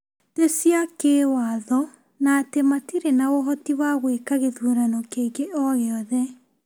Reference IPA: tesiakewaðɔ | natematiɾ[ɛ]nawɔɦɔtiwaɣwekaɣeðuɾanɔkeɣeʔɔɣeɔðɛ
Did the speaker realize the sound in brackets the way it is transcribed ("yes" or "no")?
no